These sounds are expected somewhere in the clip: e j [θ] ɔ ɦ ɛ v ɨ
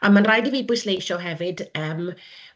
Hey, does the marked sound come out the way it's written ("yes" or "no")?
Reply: no